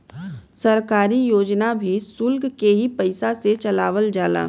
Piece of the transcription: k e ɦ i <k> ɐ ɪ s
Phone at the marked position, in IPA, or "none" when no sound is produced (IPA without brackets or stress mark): p